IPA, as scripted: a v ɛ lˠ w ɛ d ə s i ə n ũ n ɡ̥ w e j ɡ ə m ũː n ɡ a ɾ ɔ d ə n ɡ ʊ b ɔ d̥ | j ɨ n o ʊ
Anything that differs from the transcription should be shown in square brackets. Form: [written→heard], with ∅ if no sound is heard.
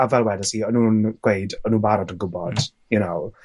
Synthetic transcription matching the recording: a v ɛ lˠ w ɛ d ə s i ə n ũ n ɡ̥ w e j [ɡ→d] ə [m→n] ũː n [ɡ→b] a ɾ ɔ d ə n ɡ ʊ b ɔ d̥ | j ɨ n o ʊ

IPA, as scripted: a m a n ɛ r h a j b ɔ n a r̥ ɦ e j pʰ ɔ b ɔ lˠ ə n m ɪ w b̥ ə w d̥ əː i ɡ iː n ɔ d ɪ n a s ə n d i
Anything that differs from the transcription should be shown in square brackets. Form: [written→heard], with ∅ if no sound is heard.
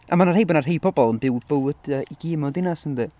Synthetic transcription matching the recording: a m a n [ɛ→a] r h [a→e] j b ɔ n a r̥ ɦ e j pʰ ɔ b ɔ lˠ ə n [m→b] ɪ w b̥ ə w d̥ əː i ɡ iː [n→m] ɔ d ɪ n a s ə n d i

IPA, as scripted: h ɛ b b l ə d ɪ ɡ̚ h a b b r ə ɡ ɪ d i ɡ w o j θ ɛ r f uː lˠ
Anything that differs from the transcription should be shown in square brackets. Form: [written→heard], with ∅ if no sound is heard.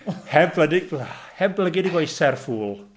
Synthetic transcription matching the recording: h ɛ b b l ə d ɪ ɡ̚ h [a→ɛ] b b [r→l] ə ɡ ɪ d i ɡ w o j [θ→s] ɛ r f uː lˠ

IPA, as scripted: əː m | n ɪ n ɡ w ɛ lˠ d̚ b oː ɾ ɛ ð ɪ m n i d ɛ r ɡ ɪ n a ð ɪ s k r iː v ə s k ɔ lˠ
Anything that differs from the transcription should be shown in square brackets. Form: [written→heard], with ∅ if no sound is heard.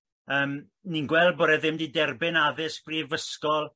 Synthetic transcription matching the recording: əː m | n [ɪ→i] n ɡ w ɛ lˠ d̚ b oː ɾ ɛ ð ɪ m [n→d] i d ɛ r [ɡ→b] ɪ n a ð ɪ s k r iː v ə s k ɔ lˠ

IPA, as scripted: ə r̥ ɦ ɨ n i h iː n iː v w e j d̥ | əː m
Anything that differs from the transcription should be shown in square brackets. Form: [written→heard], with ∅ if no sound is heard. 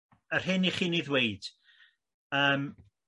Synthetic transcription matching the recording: ə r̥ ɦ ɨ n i [h→χ] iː n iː [v→ð] w e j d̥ | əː m

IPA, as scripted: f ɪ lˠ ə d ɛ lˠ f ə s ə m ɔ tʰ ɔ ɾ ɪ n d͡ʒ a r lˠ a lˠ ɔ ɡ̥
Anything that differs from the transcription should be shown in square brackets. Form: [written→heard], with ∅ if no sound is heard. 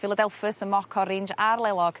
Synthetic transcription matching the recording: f ɪ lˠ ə d ɛ lˠ f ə s ə m ɔ [tʰ→kʰ] ɔ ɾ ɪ n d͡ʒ a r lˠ [a→ɛ] lˠ ɔ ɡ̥

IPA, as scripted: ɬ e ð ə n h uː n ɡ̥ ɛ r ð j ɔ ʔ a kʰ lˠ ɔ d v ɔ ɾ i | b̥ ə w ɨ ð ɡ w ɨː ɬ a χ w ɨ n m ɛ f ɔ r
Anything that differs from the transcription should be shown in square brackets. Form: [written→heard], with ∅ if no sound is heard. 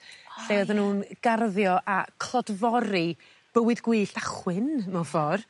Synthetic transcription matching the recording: ɬ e ð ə n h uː n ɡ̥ [ɛ→a] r ð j ɔ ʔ a kʰ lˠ ɔ d v ɔ ɾ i | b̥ ə w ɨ ð ɡ w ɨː ɬ a χ w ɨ n m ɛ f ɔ r

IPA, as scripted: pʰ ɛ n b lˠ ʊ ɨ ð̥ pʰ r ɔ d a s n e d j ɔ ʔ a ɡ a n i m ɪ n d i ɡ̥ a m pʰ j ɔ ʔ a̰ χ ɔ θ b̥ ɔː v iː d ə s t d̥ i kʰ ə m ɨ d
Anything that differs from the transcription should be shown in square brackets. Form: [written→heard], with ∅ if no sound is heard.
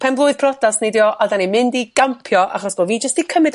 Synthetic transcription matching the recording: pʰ ɛ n b lˠ ʊ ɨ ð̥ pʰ r ɔ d a s n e d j ɔ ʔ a [ɡ→d] a n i m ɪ n d i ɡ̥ a m pʰ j ɔ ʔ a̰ χ ɔ [θ→s] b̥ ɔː v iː [d→d͡ʒ] ə s t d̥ i kʰ ə m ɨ d

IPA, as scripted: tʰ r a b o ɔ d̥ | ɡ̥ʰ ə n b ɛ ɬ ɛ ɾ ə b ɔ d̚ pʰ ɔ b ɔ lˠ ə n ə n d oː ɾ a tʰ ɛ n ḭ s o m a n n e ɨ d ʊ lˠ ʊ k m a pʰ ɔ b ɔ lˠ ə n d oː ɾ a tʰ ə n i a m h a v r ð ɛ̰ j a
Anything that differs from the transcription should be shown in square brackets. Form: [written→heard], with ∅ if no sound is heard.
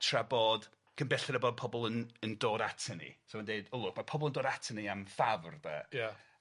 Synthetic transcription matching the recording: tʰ r a b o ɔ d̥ | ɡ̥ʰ ə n b ɛ ɬ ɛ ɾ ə b ɔ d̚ pʰ ɔ b ɔ lˠ ə n ə n d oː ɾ a tʰ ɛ n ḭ s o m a n [n→d] e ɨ d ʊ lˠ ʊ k m a pʰ ɔ b ɔ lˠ ə n d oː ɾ a tʰ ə n i a m [h→f] a v r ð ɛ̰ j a

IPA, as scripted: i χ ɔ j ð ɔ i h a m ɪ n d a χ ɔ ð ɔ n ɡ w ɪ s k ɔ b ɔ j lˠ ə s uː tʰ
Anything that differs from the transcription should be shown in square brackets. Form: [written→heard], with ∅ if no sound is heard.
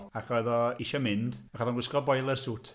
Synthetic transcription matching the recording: [i→a] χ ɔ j ð ɔ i [h→ʃ] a m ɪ n d a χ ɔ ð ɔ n ɡ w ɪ s k ɔ b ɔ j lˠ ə s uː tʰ

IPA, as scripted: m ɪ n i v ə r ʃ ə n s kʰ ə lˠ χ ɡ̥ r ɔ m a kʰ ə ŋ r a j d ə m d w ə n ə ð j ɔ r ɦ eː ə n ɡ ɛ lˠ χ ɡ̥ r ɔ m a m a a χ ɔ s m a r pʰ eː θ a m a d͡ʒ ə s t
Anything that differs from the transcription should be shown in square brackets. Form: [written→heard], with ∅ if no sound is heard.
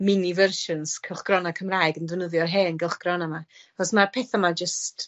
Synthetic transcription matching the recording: m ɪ n i v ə r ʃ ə n s kʰ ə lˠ χ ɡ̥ r ɔ [m→n] a kʰ ə [ŋ→m] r a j [d→ɡ] ə [m→n] d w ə n ə ð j ɔ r ɦ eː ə n ɡ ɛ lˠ χ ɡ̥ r ɔ [m→n] a m a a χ ɔ s m a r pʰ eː θ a m a d͡ʒ ə s t

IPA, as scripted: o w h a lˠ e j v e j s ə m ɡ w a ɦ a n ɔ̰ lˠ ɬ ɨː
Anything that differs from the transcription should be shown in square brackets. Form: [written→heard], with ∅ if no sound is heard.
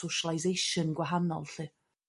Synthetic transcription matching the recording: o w [h→ʃ] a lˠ [e→a] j [v→z] e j [s→ʃ] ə [m→n] ɡ w a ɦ a n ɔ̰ lˠ ɬ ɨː

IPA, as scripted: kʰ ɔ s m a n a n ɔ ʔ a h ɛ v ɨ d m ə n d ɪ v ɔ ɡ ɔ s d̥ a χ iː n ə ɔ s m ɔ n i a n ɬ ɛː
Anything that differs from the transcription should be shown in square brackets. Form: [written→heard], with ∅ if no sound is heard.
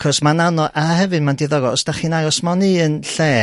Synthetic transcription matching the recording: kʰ ɔ s m a n a n ɔ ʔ a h ɛ v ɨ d m [ə→a] n d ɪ [v→ð] ɔ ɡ ɔ s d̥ a χ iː n [ə→a] ɔ s m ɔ n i [a→ə] n ɬ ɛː

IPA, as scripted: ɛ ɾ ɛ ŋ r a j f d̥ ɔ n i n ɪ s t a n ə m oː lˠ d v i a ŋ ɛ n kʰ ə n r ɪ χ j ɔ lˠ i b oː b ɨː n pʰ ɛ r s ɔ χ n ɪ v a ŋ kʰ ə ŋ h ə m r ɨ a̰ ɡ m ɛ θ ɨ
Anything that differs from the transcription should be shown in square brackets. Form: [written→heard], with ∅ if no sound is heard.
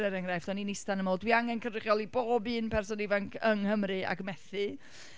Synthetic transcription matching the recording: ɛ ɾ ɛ ŋ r a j f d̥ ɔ n i n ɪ s t a n ə m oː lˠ d [v→w] i a ŋ ɛ n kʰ ə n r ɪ χ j ɔ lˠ i b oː b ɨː n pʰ ɛ r s ɔ [χ→∅] n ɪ v a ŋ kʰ ə ŋ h ə m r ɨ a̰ ɡ m ɛ θ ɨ

